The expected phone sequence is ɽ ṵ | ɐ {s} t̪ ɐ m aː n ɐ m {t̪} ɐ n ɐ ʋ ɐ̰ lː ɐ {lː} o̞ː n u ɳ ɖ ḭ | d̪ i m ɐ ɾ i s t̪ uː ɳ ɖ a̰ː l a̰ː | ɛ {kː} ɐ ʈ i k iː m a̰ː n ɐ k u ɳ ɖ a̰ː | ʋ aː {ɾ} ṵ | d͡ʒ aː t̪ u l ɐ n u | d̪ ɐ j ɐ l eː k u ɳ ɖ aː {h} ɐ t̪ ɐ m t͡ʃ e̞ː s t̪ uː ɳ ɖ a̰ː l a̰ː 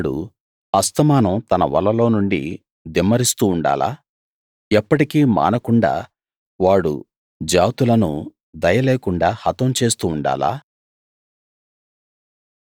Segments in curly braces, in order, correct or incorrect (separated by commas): correct, correct, incorrect, incorrect, incorrect, correct